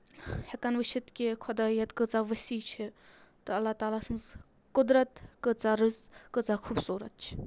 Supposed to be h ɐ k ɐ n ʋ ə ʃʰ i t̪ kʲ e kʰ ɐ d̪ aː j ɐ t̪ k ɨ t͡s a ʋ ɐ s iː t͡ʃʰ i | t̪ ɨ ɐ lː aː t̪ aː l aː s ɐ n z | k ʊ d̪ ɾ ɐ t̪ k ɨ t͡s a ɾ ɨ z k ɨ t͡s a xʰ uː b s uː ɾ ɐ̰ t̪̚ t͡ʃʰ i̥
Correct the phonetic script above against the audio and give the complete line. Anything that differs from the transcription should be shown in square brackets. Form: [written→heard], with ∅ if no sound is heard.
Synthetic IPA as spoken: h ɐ k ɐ n ʋ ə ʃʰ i t̪ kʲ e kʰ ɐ d̪ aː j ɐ t̪ k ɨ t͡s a ʋ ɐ s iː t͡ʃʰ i | t̪ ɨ ɐ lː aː t̪ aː l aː s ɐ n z | k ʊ d̪ ɾ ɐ t̪ k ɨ t͡s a ɾ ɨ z k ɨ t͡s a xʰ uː b s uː ɾ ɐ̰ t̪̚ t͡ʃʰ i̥